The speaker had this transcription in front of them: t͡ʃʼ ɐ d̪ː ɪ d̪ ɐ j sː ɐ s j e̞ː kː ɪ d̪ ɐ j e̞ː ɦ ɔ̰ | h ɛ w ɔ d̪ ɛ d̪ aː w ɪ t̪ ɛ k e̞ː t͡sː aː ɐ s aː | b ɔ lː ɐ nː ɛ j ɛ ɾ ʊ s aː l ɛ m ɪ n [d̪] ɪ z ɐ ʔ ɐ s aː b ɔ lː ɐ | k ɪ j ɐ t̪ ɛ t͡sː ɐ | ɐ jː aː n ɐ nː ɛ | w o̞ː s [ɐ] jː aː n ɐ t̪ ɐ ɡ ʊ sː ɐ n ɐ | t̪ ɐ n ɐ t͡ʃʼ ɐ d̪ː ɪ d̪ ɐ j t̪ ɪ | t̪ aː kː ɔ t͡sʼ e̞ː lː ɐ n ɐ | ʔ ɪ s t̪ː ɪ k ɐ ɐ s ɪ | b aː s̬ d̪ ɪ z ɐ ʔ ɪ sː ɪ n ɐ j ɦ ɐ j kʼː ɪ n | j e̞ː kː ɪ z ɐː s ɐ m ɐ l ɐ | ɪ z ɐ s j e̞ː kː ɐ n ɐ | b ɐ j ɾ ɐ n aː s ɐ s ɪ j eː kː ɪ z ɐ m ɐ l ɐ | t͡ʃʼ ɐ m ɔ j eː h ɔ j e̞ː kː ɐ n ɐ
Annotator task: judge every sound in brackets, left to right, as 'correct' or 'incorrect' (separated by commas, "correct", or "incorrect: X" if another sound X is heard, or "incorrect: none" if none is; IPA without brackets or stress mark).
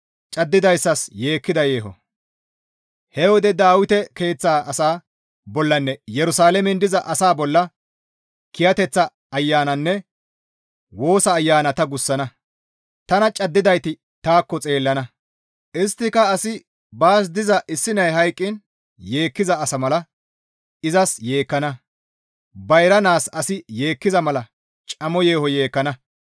correct, incorrect: ɐː